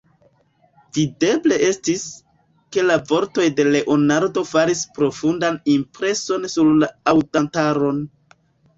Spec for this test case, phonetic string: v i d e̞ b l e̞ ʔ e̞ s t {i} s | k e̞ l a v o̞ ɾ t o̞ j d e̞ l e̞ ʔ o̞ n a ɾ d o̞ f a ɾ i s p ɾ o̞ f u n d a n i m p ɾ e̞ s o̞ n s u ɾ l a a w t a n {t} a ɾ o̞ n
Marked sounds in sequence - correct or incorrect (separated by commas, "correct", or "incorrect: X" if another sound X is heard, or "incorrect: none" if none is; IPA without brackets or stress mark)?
correct, correct